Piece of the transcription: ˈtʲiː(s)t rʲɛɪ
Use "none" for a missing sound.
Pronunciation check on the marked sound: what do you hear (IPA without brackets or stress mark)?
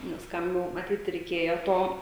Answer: none